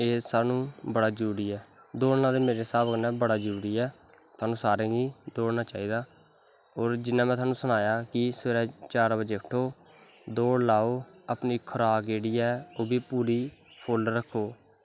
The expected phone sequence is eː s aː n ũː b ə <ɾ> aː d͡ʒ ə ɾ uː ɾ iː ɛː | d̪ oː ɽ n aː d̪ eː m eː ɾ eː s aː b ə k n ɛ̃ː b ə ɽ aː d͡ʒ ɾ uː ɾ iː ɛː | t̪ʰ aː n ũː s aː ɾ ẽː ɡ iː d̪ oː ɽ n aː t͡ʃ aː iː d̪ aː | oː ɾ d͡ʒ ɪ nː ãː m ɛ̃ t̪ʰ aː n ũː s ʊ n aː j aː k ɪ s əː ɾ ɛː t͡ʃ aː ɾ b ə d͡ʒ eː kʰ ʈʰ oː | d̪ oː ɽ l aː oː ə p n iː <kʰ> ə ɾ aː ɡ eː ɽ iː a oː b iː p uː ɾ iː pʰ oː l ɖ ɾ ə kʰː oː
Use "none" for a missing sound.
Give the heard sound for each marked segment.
ɽ, kʰ

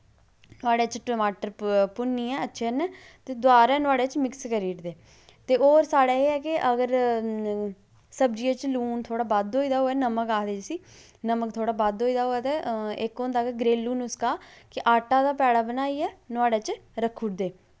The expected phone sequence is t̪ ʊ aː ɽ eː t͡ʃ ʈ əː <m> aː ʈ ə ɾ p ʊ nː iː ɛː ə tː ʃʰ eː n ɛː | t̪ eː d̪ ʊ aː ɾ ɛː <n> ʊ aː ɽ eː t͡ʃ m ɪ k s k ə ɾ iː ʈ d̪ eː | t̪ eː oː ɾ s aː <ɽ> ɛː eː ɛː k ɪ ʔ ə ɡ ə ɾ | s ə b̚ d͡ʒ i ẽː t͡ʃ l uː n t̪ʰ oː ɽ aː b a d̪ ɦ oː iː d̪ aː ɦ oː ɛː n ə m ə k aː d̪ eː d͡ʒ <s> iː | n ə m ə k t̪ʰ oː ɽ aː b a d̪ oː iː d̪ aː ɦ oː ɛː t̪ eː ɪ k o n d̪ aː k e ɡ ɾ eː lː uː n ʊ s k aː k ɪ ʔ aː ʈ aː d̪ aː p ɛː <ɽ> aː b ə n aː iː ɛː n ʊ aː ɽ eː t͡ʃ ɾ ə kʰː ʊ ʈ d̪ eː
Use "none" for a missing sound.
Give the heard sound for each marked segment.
m, n, ɽ, s, ɽ

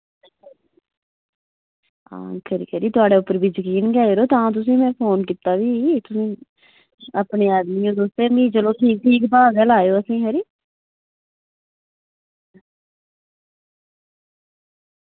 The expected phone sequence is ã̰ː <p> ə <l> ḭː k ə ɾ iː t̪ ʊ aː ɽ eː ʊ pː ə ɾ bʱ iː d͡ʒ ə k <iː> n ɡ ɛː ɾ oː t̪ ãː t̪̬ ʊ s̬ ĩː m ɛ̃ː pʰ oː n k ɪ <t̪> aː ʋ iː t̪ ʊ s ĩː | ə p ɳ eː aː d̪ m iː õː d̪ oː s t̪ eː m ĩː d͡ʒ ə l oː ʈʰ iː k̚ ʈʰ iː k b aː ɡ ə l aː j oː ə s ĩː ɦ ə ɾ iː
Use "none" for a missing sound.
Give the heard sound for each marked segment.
k, ɾ, iː, t̪

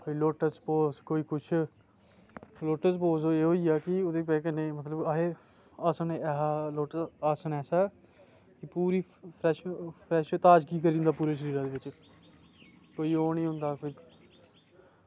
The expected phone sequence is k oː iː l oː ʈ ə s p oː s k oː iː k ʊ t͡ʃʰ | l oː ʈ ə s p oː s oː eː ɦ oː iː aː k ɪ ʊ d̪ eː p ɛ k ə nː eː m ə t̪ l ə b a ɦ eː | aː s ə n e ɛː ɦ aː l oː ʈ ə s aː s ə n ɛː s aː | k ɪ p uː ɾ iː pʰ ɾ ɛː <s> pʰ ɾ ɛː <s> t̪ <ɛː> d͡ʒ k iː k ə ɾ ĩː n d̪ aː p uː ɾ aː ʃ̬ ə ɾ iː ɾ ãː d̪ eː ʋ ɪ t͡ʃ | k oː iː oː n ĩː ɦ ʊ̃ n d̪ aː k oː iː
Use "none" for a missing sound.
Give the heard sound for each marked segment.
ʃ, ʃ, aː

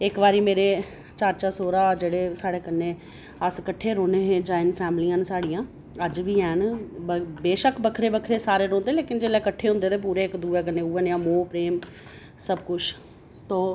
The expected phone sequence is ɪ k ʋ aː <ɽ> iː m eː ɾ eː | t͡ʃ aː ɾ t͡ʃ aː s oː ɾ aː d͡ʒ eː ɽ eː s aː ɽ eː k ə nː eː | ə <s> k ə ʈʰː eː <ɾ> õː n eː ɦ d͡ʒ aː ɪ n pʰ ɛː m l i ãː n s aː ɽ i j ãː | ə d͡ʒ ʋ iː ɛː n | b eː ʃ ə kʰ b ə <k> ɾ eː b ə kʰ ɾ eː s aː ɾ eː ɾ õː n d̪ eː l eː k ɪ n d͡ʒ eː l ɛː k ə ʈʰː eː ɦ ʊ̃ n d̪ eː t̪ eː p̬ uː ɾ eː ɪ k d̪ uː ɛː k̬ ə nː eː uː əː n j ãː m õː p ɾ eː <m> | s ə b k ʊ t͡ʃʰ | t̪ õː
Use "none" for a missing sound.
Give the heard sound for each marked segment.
ɾ, s, ɾ, kʰ, m

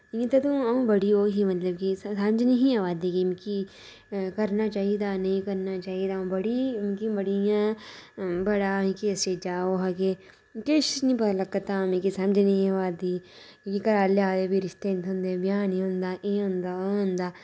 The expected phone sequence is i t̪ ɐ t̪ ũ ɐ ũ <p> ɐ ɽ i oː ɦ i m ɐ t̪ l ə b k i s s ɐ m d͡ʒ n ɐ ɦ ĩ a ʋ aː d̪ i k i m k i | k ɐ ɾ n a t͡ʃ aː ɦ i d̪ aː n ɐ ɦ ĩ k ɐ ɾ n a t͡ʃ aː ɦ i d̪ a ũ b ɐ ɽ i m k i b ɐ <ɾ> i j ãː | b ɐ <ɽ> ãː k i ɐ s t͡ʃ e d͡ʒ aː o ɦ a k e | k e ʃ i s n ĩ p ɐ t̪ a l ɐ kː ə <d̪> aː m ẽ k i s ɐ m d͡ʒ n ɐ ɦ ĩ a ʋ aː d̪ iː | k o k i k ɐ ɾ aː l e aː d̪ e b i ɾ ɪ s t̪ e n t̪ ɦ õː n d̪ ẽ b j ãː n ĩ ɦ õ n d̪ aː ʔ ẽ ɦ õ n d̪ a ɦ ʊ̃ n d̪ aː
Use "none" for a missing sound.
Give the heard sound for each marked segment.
b, ɽ, ɽ, t̪

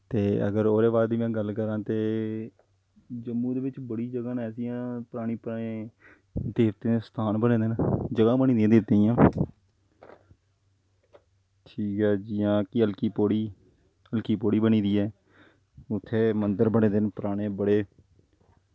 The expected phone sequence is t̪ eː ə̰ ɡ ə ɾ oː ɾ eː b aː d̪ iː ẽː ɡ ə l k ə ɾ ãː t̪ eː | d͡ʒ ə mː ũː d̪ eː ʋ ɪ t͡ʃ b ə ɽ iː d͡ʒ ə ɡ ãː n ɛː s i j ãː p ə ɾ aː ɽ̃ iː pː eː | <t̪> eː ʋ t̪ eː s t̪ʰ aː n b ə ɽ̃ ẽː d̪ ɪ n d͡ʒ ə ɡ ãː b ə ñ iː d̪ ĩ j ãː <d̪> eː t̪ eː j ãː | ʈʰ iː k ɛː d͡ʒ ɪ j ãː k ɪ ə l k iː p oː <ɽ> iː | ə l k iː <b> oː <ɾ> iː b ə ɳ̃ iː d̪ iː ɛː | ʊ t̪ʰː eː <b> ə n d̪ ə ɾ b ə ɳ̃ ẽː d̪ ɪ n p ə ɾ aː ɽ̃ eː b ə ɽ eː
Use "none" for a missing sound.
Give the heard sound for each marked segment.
d̪, d̪, ɽ, p, ɽ, m

